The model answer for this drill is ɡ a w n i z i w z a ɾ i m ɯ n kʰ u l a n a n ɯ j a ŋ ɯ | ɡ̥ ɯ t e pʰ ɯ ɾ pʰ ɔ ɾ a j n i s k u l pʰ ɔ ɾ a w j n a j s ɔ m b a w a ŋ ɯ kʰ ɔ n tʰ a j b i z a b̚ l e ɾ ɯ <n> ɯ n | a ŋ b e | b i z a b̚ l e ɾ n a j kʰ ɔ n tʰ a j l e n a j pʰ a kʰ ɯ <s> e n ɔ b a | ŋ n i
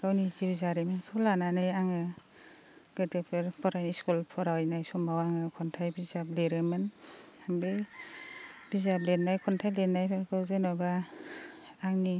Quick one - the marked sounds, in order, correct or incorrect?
incorrect: m, incorrect: z

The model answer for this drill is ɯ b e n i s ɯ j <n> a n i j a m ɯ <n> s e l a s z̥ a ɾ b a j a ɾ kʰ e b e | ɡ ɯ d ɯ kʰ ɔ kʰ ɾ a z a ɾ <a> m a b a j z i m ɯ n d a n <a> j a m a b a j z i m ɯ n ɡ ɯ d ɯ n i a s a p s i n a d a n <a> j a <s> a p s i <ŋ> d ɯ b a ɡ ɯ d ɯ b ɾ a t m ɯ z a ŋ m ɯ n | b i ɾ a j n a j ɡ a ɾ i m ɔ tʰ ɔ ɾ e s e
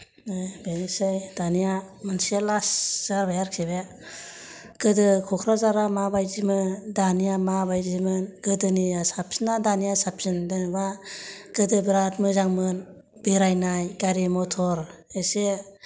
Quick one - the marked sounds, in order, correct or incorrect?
incorrect: d, correct, correct, incorrect: i, incorrect: i, correct, incorrect: n

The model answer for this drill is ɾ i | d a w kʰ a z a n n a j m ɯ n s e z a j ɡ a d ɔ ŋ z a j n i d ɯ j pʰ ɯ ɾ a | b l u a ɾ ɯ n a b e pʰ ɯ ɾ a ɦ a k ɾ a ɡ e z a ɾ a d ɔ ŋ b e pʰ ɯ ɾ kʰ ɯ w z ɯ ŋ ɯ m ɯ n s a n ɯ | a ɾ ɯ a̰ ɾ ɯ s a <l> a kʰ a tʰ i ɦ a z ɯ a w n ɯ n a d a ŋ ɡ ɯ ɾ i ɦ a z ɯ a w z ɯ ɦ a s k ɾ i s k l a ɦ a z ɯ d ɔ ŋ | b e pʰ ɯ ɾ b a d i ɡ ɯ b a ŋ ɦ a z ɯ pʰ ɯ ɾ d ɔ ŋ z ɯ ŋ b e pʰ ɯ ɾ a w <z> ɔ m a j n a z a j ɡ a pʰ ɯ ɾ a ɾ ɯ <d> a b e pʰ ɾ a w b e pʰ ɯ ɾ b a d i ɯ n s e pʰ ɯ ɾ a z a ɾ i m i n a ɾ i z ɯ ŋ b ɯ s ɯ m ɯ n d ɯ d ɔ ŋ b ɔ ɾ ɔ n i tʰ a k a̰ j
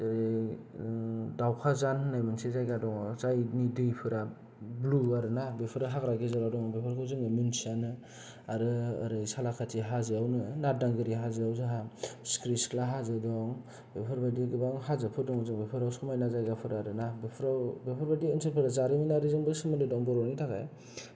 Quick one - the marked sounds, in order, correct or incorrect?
correct, incorrect: s, incorrect: n

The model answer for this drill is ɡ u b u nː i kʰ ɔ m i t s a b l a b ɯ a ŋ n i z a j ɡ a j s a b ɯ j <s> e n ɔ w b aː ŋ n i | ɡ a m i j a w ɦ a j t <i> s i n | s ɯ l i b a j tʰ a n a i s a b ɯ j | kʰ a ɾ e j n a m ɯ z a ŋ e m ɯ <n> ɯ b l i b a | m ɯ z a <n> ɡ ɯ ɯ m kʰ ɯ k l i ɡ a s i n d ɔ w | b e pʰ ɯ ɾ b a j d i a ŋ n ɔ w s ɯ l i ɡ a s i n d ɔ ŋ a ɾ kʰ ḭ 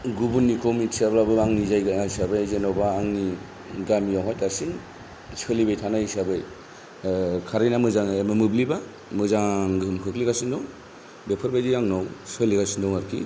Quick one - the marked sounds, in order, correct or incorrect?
incorrect: z, incorrect: a, incorrect: m, incorrect: ŋ

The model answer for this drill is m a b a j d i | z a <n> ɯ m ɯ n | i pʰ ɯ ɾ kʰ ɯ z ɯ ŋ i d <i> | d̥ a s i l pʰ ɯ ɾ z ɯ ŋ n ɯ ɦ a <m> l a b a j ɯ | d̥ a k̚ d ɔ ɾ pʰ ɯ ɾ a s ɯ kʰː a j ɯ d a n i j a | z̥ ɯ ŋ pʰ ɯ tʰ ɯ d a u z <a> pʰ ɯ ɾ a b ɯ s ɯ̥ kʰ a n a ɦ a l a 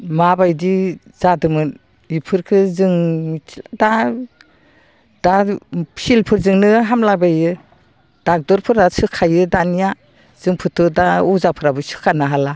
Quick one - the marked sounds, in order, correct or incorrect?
incorrect: d, incorrect: a, correct, correct

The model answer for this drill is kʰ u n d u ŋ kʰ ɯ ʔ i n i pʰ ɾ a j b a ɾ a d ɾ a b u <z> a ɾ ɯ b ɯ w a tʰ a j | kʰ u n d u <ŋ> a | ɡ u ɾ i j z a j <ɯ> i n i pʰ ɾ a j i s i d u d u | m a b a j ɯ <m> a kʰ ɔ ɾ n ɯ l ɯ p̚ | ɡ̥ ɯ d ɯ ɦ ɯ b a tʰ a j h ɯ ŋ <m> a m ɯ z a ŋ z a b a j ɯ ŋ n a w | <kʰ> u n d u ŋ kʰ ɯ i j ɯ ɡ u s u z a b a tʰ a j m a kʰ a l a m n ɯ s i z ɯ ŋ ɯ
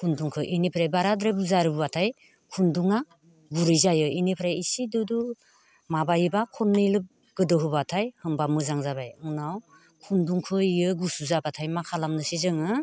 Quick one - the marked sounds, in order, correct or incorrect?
correct, correct, correct, incorrect: b, incorrect: b, correct

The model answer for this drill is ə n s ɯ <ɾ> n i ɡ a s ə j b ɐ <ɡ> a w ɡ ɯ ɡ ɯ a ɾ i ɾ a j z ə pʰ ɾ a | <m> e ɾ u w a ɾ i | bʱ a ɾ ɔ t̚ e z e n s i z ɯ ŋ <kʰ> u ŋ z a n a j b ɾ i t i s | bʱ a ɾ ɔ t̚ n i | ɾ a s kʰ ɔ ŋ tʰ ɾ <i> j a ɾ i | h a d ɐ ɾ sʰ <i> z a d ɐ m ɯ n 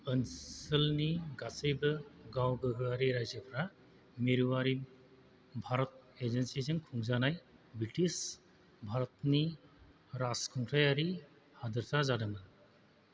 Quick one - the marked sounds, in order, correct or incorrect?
incorrect: l, correct, correct, correct, incorrect: a, incorrect: a

